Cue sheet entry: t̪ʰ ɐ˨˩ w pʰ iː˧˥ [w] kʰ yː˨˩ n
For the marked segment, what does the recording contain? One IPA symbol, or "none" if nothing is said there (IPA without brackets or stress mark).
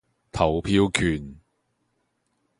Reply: w